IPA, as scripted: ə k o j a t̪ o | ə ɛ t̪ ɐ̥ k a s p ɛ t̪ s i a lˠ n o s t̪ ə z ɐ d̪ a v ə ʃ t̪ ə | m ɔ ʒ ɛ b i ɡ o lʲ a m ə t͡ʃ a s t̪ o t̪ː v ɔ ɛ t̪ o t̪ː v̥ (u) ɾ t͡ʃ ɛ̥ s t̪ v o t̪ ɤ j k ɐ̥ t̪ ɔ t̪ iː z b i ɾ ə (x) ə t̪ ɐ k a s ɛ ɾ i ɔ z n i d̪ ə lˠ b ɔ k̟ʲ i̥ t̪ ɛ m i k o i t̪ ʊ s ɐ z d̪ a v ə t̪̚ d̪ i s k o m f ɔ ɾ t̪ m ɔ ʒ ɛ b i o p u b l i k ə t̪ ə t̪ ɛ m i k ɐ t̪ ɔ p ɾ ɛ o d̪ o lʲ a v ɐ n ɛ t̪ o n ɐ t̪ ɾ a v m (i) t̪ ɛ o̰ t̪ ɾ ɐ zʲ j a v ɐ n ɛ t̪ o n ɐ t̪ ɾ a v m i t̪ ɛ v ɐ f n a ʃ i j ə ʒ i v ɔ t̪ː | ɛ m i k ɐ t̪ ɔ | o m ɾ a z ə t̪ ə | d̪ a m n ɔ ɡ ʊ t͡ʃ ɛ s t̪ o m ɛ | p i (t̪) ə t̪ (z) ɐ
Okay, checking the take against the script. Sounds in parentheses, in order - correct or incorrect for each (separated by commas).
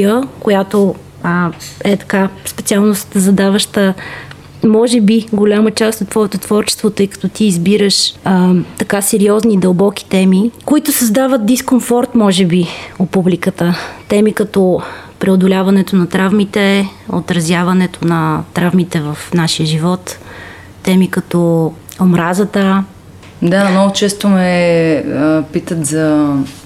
incorrect, incorrect, correct, correct, correct